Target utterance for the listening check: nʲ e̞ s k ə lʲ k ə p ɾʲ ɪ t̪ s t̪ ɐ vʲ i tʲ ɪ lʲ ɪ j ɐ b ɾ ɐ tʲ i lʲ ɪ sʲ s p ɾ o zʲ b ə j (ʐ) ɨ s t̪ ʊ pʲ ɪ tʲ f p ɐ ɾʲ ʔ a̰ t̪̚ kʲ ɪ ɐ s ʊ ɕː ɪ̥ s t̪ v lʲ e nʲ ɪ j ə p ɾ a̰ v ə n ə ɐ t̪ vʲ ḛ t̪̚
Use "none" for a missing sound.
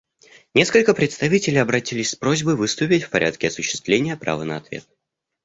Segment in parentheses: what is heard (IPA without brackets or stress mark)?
v